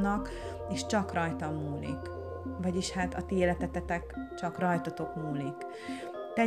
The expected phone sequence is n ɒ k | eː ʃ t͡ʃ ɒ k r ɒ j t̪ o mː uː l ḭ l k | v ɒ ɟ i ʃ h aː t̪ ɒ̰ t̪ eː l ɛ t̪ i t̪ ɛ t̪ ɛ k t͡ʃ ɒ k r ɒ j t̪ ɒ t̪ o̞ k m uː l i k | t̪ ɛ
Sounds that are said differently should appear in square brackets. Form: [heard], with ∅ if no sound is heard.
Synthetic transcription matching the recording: n ɒ k | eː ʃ t͡ʃ ɒ k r ɒ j t̪ [ɒ] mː uː l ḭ [∅] k | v ɒ ɟ i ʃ h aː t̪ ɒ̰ t̪ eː l ɛ t̪ [ɛ] t̪ ɛ t̪ ɛ k t͡ʃ ɒ k r ɒ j t̪ ɒ t̪ o̞ k m uː l i k | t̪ ɛ